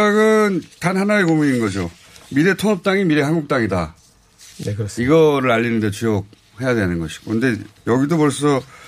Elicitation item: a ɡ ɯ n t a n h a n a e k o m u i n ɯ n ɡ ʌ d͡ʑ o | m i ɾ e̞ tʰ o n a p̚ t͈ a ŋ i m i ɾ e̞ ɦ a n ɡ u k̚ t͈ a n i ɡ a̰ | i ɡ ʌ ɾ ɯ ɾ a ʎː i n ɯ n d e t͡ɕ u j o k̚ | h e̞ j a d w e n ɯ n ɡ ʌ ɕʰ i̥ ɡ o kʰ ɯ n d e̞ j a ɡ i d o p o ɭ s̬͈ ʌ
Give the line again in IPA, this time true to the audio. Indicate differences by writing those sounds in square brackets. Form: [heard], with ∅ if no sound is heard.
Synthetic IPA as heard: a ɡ ɯ n t a n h a n a e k o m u i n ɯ n ɡ ʌ d͡ʑ o | m i ɾ e̞ tʰ o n [ʌ] p̚ t͈ a ŋ i m i ɾ e̞ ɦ a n ɡ u k̚ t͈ a [ŋ] i [d] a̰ | i ɡ ʌ ɾ ɯ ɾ a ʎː i n ɯ n d e t͡ɕ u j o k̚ | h e̞ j a d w e n ɯ n ɡ ʌ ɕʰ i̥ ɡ o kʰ ɯ n d e̞ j [ʌ] ɡ i d o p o ɭ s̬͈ ʌ